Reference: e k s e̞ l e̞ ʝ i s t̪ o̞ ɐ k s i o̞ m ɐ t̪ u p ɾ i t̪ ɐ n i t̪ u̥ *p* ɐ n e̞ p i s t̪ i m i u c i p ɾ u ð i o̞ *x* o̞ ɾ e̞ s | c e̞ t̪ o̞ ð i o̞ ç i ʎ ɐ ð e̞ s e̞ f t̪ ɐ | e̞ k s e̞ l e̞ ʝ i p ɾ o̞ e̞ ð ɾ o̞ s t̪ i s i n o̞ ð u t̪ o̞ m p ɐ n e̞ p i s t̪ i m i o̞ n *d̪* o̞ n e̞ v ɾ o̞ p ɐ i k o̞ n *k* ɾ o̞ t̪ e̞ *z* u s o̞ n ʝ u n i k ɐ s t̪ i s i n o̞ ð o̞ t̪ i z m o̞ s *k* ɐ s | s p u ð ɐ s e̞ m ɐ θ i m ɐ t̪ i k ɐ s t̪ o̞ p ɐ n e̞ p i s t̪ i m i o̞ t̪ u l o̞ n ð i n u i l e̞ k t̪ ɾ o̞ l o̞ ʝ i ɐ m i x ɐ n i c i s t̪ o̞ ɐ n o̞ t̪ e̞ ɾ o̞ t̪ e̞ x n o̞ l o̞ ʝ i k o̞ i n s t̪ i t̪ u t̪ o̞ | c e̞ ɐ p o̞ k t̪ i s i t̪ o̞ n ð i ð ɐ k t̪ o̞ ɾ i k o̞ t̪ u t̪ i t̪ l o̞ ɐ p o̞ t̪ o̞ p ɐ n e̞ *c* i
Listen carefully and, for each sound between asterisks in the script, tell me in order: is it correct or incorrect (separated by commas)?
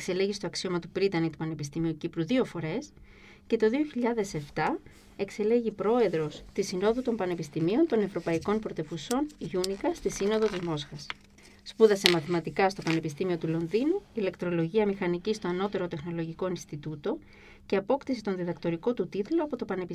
correct, incorrect, incorrect, incorrect, incorrect, incorrect, incorrect